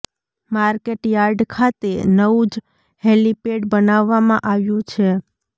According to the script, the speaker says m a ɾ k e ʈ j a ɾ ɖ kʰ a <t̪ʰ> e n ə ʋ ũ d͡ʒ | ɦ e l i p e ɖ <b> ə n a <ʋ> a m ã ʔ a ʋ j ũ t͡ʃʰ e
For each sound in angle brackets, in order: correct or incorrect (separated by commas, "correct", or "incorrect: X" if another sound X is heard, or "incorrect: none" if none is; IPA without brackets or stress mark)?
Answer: incorrect: t̪, correct, incorrect: ʋː